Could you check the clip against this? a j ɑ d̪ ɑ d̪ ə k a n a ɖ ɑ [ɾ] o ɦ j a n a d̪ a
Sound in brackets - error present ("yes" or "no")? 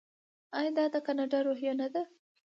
no